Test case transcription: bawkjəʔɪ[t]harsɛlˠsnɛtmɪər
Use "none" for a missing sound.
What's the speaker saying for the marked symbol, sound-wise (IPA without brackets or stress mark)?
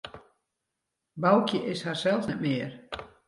s